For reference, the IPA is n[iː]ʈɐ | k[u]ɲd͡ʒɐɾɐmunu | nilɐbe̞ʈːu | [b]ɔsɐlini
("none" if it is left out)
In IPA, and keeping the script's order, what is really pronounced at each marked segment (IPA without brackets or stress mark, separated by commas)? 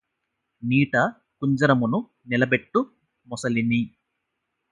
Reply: iː, u, m